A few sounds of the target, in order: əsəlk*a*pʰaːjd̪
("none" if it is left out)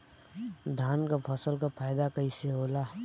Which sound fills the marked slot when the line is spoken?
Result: a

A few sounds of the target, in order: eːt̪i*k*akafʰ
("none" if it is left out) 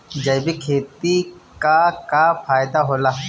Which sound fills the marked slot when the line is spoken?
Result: k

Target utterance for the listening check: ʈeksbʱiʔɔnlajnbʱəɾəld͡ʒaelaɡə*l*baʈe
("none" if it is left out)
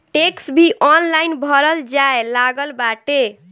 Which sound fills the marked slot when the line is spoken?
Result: l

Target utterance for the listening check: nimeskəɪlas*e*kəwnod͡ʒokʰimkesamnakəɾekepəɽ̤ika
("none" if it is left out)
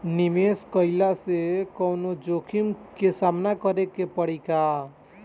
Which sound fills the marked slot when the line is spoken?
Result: e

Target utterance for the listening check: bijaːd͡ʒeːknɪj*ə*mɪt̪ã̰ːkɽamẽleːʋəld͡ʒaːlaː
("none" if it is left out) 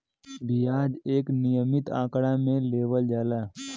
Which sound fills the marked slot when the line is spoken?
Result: ə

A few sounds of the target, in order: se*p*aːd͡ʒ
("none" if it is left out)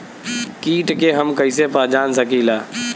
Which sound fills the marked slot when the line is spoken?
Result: p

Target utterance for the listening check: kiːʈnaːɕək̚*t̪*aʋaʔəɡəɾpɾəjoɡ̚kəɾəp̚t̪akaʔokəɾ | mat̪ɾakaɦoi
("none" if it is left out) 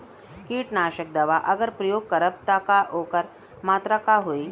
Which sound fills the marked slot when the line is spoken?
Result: d̪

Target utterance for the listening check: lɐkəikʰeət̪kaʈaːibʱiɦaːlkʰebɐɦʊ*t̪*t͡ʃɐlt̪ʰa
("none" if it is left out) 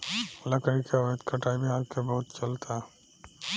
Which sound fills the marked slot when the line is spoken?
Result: t̪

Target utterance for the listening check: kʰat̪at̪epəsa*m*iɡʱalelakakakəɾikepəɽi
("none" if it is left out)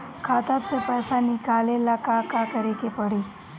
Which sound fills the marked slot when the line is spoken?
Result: n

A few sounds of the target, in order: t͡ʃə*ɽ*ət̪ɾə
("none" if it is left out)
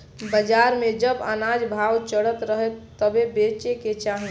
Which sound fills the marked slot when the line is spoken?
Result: ɽ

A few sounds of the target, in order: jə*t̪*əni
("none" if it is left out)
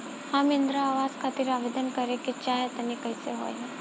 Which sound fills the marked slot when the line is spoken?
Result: t̪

